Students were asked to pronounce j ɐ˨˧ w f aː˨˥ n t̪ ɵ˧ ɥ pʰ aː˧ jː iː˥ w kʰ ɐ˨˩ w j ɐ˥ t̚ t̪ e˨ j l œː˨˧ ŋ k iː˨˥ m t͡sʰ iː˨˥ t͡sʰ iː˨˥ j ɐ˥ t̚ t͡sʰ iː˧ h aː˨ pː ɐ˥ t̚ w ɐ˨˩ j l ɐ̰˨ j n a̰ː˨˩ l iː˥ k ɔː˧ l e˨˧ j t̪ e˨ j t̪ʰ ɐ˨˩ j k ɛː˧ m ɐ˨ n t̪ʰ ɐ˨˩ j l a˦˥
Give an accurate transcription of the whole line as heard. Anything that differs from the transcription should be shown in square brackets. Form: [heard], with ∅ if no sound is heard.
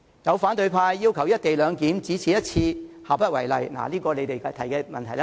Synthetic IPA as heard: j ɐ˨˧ w f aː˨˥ n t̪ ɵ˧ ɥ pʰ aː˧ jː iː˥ w kʰ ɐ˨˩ w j ɐ˥ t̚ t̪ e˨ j l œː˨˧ ŋ k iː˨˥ m [t͡s] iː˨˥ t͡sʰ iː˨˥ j ɐ˥ t̚ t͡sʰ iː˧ h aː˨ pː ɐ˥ t̚ w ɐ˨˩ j l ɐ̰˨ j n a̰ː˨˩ l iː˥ k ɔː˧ l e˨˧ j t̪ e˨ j t̪ʰ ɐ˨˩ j k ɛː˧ m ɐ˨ n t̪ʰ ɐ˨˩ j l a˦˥

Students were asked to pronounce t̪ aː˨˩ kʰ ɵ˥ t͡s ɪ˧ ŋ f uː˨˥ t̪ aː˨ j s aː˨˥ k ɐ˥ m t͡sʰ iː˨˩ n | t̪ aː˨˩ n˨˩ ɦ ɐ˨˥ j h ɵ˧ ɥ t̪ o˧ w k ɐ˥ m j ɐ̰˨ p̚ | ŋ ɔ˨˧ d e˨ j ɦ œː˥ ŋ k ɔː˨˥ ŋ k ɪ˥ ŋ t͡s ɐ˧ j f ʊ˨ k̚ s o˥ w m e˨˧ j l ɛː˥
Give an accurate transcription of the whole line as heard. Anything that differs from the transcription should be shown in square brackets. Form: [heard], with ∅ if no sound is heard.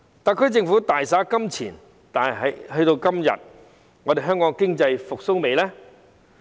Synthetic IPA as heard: t̪ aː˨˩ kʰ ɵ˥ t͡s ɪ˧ ŋ f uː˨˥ t̪ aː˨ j s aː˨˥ k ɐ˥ m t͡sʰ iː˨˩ n | t̪ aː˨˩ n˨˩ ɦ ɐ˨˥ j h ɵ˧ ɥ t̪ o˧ w k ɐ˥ m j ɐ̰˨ [t̚] | ŋ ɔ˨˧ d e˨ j ɦ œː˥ ŋ k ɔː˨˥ ŋ k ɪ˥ ŋ t͡s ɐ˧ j f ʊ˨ k̚ s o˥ w m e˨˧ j l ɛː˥

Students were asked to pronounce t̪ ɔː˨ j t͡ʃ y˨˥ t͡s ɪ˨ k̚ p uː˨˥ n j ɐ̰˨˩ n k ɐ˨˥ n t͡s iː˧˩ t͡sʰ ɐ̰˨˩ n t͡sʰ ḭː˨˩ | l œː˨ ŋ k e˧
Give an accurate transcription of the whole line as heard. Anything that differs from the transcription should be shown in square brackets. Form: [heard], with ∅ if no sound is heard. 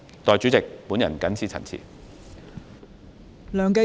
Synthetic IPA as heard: t̪ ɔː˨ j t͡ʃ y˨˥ t͡s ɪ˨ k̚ p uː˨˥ n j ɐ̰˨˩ n k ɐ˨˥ n [t͡sʰ] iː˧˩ t͡sʰ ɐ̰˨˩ n t͡sʰ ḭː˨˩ | l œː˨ ŋ k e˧

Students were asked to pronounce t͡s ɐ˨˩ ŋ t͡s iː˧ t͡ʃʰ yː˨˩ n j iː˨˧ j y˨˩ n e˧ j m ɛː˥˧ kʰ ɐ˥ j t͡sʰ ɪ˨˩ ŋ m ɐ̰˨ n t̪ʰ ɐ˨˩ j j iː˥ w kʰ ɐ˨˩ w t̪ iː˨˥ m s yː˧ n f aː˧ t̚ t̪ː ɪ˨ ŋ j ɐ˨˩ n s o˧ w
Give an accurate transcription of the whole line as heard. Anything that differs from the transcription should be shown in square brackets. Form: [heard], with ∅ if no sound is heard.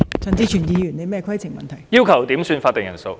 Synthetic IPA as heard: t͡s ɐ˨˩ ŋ t͡s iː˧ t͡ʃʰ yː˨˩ n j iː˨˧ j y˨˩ n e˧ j m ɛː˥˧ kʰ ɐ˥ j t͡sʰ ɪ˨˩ ŋ m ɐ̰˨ n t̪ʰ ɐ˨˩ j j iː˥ w kʰ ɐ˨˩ w t̪ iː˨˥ m s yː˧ n f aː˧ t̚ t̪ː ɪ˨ ŋ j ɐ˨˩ n s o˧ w

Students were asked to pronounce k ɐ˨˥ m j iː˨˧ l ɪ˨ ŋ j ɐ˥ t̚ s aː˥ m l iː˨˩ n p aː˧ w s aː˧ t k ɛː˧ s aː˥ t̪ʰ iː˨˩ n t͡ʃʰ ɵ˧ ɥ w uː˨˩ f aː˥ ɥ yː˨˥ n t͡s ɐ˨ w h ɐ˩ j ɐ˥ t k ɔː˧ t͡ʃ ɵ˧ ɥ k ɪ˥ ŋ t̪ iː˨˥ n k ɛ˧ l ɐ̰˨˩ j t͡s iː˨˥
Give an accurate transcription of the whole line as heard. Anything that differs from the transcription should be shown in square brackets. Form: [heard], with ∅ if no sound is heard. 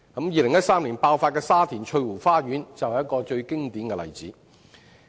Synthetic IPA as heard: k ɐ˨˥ m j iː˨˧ l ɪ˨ ŋ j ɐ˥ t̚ s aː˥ m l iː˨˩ n p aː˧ w [f] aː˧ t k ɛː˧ s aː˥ t̪ʰ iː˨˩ n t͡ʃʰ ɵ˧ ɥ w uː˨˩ f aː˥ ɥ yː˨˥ n t͡s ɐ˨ w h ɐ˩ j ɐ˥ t k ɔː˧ t͡ʃ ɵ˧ ɥ k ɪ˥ ŋ t̪ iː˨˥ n k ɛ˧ l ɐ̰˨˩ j t͡s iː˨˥

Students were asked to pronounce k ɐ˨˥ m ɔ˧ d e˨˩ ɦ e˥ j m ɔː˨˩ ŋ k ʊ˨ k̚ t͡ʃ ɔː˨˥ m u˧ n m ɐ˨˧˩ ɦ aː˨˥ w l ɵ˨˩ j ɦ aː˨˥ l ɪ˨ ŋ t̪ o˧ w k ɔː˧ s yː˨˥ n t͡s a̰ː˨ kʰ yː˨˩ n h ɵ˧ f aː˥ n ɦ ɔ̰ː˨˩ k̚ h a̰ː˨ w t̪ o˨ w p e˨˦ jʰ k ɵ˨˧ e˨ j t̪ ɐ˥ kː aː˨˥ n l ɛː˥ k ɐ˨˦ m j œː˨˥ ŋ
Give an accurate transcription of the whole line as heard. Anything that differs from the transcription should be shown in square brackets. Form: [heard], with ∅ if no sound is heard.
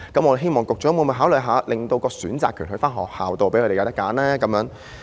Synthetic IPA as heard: k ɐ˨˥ m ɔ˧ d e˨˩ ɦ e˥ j m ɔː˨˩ ŋ k ʊ˨ k̚ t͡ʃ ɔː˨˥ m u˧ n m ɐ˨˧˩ ɦ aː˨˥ w l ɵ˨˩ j ɦ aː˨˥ l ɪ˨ ŋ t̪ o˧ w k ɔː˧ s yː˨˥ n t͡s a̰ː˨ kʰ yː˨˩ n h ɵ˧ f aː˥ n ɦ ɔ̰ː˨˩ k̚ h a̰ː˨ w t̪ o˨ w p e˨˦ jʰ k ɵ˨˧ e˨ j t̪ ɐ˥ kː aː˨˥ n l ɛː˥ k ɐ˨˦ m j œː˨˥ ŋ

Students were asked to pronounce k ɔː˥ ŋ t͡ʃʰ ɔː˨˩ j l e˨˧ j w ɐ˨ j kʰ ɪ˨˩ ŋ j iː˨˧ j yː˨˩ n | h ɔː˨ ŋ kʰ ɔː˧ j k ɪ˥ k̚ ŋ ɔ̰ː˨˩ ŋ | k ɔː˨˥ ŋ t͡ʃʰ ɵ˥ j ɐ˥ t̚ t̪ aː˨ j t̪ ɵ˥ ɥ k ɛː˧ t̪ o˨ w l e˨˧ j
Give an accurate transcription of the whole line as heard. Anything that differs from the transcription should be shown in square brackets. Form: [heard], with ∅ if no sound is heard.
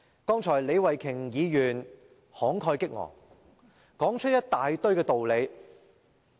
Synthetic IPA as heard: k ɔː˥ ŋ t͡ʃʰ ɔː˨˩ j l e˨˧ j w ɐ˨ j kʰ ɪ˨˩ ŋ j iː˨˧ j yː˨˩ n | h [ɔː˨˥] ŋ kʰ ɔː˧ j k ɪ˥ k̚ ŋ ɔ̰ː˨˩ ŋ | k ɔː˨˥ ŋ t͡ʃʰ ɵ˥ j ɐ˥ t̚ t̪ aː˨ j t̪ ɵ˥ ɥ k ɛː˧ t̪ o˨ w l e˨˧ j

